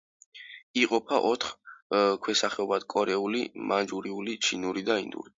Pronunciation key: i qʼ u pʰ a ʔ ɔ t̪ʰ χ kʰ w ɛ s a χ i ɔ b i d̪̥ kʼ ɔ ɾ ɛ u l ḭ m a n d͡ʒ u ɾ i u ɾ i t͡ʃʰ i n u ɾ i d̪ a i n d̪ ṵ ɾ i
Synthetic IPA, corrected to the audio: i qʼ ɔ pʰ a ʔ ɔ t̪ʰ χ kʰ w ɛ s a χ ɛ ɔ b a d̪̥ kʼ ɔ ɾ ɛ u l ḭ m a n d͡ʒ u ɾ i u l i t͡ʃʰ i n u ɾ i d̪ a i n d̪ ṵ ɾ i

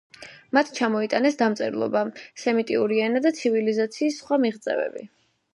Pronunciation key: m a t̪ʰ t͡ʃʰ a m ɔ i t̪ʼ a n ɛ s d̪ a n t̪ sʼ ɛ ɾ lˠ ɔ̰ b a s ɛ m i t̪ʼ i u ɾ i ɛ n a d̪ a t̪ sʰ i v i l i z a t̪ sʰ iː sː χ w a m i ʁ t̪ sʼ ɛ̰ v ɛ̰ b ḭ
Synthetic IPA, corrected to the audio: m a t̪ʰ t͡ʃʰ a m ɔ i t̪ʼ a n ɛ s d̪ a m t̪ sʼ ɛ ɾ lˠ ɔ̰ b a s ɛ m i t̪ʼ i u ɾ i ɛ n a d̪ a t̪ sʰ i v i l i z a t̪ sʰ iː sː χ w a m i ʁ t̪ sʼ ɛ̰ v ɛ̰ b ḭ

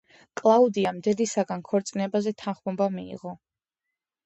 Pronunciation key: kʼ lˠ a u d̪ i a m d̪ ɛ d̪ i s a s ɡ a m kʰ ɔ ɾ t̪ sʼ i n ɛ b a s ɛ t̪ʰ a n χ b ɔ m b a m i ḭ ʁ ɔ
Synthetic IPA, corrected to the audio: kʼ lˠ a u d̪ i a m d̪ ɛ d̪ i s a ɡ a n kʰ ɔ ɾ t̪ sʼ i n ɛ b a z ɛ t̪ʰ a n χ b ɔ m b a m i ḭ ʁ ɔ

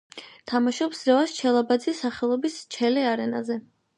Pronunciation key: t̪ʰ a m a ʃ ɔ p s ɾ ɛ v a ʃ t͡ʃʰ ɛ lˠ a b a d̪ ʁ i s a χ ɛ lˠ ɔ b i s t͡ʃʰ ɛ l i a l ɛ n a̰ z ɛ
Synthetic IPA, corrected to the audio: t̪ʰ a m a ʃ ɔ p s ɾ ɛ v a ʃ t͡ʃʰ ɛ lˠ a b a d̪ z i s a χ ɛ lˠ ɔ b i s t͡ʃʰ ɛ l i a ɾ ɛ n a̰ z ɛ

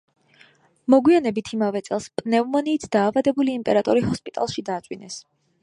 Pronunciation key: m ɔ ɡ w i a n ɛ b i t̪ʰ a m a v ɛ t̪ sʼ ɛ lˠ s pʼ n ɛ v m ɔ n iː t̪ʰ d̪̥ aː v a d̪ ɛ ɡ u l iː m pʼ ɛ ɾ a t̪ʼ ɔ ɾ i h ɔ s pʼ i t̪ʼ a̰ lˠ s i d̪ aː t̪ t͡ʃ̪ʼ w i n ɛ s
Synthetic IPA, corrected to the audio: m ɔ ɡ w i a n ɛ b i t̪ʰ i m a v ɛ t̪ sʼ ɛ lˠ s pʼ n ɛ v m ɔ n iː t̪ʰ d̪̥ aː v a d̪ ɛ b u l iː m pʼ ɛ ɾ a t̪ʼ ɔ ɾ i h ɔ s pʼ i t̪ʼ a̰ lˠ ʃ i d̪ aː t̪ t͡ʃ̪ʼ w i n ɛ s

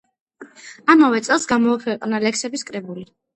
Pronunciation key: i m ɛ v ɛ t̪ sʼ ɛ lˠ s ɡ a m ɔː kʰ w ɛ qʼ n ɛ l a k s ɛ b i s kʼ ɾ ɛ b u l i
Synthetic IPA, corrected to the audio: a m a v ɛ t̪ sʼ ɛ lˠ s ɡ a m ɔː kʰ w ɛ qʼ n a l ɛ k s ɛ b i s kʼ ɾ ɛ b u l i

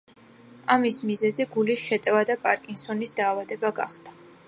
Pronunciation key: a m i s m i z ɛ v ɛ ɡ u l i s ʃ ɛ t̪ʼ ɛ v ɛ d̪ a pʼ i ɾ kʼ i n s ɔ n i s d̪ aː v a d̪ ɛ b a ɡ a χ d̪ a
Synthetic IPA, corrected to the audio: a m i s m i z ɛ z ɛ ɡ u l i s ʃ ɛ t̪ʼ ɛ v a d̪ a pʼ a ɾ kʼ i n s ɔ n i s d̪ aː v a d̪ ɛ b a ɡ a χ d̪ a

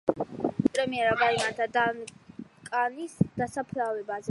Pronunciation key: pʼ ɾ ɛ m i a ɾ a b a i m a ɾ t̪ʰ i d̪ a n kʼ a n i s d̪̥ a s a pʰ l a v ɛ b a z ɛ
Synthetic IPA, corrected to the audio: pʼ ɾ ɛ m i ɛ ɾ a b a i m a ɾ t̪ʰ a d̪ a n kʼ a n i s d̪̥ a s a pʰ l a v ɛ b a z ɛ

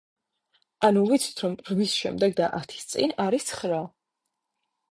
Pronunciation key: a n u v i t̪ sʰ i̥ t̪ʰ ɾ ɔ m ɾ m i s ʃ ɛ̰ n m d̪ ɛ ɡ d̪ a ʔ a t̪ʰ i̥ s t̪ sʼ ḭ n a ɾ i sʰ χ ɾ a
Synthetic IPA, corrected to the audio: a n u v i t̪ sʰ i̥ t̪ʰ ɾ ɔ m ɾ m i s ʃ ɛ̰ m d̪ ɛ ɡ d̪ a ʔ a t̪ʰ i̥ s t̪ sʼ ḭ n a ɾ i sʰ χ ɾ a

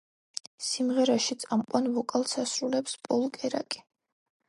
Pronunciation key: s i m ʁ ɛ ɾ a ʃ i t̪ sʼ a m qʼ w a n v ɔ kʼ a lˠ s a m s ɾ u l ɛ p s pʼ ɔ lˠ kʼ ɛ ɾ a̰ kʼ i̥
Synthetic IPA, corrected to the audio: s i m ʁ ɛ ɾ a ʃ i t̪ sʼ a m qʼ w a n v ɔ kʼ a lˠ s a s ɾ u l ɛ p s pʼ ɔ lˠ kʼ ɛ ɾ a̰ kʼ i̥

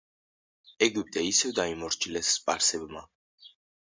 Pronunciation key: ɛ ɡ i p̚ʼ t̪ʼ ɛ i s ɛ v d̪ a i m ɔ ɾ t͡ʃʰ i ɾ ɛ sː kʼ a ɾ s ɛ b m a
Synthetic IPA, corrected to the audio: ɛ ɡ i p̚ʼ t̪ʼ ɛ i s ɛ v d̪ a i m ɔ ɾ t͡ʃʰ i l ɛ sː pʼ a ɾ s ɛ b m a

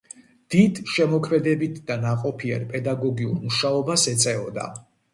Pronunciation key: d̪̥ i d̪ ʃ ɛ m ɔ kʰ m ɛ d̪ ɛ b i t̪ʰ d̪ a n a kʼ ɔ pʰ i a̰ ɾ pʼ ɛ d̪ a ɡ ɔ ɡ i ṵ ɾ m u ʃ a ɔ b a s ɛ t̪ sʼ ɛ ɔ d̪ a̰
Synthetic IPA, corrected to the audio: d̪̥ i d̪ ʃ ɛ m ɔ kʰ m ɛ d̪ ɛ b i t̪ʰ d̪ a n a qʼ ɔ pʰ i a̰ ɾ pʼ ɛ d̪ a ɡ ɔ ɡ i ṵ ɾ m u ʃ a ɔ b a s ɛ t̪ sʼ ɛ ɔ d̪ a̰

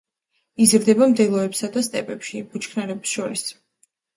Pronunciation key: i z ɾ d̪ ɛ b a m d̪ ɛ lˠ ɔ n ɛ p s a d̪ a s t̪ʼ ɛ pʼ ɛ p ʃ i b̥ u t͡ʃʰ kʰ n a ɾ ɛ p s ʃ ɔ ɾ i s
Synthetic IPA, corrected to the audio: i z ɾ d̪ ɛ b a m d̪ ɛ lˠ ɔ ɛ p s a d̪ a s t̪ʼ ɛ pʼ ɛ p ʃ i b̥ u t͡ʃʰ kʰ n a ɾ ɛ p s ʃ ɔ ɾ i s

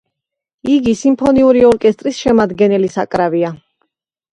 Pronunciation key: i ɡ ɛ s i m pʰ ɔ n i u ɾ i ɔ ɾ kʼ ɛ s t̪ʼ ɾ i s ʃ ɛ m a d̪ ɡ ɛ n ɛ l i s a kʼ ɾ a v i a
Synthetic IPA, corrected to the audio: i ɡ i s i m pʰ ɔ n i u ɾ i ɔ ɾ kʼ ɛ s t̪ʼ ɾ i s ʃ ɛ m a d̪ ɡ ɛ n ɛ l i s a kʼ ɾ a v i a

